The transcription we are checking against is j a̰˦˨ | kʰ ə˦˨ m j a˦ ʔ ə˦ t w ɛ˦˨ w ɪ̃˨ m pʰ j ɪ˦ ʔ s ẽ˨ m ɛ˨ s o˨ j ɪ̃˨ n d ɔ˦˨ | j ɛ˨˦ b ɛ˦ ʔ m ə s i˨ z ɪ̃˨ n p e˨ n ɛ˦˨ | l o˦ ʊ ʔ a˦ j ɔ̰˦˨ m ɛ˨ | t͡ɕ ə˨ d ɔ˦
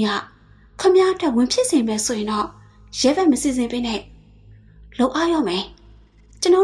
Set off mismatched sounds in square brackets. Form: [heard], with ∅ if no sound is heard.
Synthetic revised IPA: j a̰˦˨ | kʰ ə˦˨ m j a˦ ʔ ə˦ t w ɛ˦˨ w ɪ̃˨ m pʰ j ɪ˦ ʔ s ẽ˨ m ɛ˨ s o˨ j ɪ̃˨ n d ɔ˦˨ | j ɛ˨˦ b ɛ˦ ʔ m ə s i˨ z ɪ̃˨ [m] p [e˦] n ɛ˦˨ | l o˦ ʊ ʔ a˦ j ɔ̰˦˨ m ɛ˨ | t͡ɕ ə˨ [n] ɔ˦